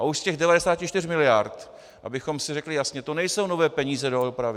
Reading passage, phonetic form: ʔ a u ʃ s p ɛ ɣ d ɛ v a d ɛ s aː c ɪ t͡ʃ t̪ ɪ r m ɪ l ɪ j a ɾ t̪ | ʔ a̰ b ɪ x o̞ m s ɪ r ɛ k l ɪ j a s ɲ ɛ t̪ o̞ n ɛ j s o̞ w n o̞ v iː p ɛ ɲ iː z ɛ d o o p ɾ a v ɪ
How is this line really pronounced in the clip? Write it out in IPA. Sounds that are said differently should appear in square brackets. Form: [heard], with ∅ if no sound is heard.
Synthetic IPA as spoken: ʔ a u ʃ s [c] ɛ ɣ d ɛ v a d ɛ s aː c ɪ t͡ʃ t̪ ɪ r m ɪ l ɪ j a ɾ t̪ | ʔ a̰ b ɪ x o̞ m s ɪ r ɛ k l ɪ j a s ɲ ɛ t̪ o̞ n ɛ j s o̞ w n o̞ v [ɛː] p ɛ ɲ iː z ɛ d o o p ɾ a v ɪ